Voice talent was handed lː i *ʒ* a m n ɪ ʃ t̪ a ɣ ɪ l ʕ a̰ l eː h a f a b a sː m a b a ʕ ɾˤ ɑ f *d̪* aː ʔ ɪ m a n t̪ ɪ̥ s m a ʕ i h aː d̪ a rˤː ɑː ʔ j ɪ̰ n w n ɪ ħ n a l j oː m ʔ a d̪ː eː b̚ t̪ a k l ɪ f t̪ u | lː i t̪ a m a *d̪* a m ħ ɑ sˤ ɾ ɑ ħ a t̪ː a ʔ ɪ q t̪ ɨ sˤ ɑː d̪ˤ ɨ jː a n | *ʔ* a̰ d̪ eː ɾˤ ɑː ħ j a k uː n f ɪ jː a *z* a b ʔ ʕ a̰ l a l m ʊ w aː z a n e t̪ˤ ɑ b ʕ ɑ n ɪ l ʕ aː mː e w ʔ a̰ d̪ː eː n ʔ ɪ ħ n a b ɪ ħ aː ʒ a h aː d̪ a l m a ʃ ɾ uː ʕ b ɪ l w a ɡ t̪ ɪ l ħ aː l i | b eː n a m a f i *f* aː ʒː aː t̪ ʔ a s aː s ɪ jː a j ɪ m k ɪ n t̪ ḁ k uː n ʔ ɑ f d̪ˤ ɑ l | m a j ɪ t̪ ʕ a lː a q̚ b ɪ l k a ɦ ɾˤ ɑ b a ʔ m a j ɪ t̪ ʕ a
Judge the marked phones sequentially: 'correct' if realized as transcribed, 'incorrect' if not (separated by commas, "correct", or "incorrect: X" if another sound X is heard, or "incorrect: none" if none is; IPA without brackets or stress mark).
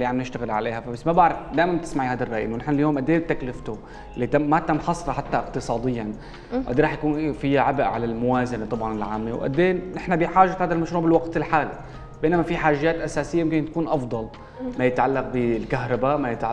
incorrect: ʕ, correct, incorrect: t̪, correct, incorrect: ʕ, incorrect: ħ